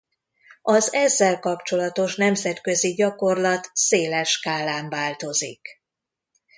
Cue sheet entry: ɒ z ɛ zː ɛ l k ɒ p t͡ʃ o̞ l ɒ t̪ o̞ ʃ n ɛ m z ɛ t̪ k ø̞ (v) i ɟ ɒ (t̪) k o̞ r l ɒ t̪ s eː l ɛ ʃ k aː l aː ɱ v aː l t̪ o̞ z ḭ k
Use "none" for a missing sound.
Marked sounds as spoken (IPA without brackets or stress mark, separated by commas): z, none